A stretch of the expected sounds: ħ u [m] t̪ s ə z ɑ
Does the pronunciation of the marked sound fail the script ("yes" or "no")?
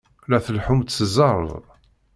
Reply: no